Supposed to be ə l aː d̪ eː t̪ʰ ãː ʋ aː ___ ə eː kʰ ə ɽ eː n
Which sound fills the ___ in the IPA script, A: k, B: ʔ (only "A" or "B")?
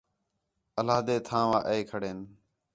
B